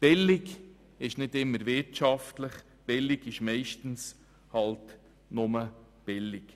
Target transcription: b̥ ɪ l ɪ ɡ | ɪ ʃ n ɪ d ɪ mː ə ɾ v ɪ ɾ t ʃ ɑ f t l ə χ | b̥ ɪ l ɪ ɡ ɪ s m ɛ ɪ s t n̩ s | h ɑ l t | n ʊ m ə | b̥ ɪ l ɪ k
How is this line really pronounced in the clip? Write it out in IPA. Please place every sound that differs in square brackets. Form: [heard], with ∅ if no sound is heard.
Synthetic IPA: b̥ ɪ l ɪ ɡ | ɪ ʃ n ɪ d ɪ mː ə ɾ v ɪ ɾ t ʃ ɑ f t l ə χ | b̥ ɪ l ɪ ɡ ɪ [ʃ] m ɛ ɪ [ʃ] t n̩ s | h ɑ l t | n ʊ m ə | b̥ ɪ l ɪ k